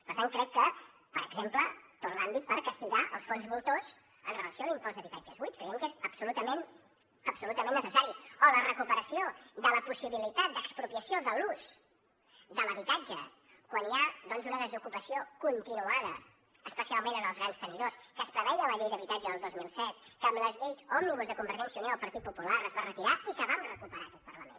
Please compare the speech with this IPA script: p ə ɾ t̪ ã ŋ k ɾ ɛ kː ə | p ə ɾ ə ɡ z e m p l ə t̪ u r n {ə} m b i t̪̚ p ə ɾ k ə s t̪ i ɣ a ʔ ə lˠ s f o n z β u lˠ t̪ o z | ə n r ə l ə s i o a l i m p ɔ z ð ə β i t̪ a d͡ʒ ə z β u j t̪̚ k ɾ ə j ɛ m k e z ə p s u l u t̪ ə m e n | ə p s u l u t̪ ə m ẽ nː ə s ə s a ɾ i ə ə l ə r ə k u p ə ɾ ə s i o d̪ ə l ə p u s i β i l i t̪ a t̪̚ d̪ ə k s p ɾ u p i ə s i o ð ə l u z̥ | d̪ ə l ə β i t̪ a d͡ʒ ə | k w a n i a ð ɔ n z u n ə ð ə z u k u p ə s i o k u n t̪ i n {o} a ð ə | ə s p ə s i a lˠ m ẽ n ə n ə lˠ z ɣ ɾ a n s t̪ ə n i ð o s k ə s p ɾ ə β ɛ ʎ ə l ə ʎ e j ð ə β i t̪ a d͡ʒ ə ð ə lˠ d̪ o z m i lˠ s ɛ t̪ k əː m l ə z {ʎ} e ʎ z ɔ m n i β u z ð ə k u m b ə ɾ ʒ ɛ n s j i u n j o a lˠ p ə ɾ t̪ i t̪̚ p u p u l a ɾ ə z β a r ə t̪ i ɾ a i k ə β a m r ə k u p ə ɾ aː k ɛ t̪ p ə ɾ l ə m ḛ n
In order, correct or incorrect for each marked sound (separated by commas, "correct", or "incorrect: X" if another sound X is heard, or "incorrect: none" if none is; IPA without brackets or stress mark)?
incorrect: a, incorrect: u, correct